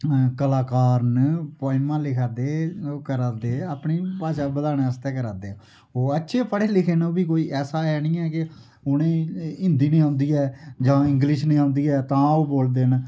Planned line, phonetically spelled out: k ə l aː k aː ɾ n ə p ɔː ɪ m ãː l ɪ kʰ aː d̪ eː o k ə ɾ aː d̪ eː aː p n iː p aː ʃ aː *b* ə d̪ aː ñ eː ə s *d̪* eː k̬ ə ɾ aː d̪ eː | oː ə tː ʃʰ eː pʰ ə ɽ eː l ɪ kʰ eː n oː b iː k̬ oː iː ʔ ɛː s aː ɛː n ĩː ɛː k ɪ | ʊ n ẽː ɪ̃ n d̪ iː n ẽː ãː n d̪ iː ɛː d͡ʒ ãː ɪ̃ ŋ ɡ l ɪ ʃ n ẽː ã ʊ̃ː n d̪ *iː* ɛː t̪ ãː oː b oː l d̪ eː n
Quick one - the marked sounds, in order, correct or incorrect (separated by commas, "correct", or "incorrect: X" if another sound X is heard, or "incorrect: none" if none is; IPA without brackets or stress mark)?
correct, incorrect: t̪, correct